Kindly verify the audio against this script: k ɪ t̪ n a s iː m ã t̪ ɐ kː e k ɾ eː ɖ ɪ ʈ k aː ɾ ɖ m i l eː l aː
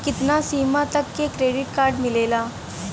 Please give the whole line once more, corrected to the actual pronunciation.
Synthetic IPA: k ɪ t̪ n a s iː m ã t̪ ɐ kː e k ɾ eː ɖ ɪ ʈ k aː ɾ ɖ m ɪ l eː l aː